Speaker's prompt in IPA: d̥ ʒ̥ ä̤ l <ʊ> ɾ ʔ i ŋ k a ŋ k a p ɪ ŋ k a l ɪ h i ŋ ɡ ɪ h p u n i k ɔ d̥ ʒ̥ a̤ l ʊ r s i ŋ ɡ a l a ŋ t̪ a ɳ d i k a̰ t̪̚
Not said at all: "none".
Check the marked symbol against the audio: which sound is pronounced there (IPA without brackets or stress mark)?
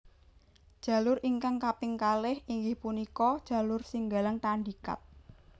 ʊ